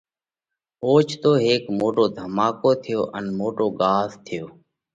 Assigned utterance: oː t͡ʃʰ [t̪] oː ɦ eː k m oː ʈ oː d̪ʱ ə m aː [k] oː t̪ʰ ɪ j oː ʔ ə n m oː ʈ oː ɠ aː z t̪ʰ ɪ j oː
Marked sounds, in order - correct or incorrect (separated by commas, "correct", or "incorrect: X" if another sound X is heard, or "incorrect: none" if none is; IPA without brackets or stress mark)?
correct, correct